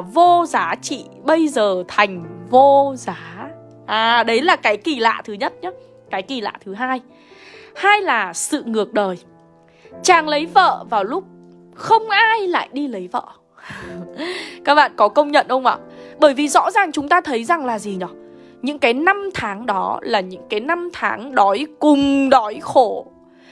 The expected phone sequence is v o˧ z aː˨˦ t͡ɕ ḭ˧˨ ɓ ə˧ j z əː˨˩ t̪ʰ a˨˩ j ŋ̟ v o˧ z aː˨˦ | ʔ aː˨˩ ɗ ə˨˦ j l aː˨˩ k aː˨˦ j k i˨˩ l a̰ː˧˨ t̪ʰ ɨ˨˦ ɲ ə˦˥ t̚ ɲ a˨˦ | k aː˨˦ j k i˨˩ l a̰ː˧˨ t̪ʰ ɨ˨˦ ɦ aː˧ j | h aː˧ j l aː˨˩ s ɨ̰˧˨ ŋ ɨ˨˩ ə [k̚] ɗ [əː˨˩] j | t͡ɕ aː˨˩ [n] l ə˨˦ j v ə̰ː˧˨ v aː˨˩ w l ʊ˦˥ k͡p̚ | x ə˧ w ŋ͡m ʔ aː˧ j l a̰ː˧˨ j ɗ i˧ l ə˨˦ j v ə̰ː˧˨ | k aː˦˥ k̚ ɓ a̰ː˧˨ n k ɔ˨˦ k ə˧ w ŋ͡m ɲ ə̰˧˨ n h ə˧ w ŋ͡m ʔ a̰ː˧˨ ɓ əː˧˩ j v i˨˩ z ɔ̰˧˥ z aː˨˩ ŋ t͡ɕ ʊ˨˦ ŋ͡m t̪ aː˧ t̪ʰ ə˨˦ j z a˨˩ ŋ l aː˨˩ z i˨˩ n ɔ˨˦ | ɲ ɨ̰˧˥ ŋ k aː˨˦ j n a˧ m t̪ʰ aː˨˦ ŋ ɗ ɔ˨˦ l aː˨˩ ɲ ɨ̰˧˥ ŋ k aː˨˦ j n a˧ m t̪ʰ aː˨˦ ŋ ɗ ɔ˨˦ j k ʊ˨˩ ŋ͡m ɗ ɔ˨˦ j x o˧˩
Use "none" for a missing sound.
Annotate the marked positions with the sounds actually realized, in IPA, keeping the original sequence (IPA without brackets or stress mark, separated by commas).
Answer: k̚, əː˨˩, ŋ